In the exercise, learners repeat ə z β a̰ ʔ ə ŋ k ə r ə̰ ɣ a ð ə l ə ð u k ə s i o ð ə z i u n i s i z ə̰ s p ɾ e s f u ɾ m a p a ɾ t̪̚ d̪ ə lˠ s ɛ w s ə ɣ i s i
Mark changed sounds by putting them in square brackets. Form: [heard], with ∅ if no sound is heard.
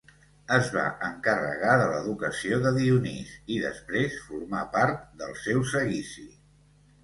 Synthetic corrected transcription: ə z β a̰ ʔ ə ŋ k ə r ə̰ ɣ a ð ə l ə ð u k ə s i o ð ə [ð] i u n i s i [ð] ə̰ s p ɾ e s f u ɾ m a p a ɾ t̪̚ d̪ ə lˠ s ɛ w s ə ɣ i s i